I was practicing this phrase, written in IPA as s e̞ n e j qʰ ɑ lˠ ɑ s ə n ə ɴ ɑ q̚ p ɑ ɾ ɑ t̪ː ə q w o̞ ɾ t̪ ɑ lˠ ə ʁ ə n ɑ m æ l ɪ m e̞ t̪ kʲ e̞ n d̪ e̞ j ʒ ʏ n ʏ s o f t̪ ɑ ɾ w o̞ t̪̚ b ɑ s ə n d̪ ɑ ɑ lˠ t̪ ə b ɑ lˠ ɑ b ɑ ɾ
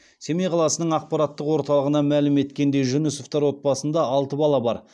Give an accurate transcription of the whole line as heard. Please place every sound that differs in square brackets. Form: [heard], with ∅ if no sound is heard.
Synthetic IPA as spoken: s e̞ [m] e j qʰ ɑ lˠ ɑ s ə n ə ɴ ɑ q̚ p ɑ ɾ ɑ t̪ː ə q w o̞ ɾ t̪ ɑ lˠ ə ʁ ə n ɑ m æ l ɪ m e̞ t̪ kʲ e̞ n d̪ e̞ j ʒ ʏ n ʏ s o f t̪ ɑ ɾ w o̞ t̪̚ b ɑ s ə n d̪ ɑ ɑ lˠ t̪ ə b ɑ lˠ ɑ b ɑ ɾ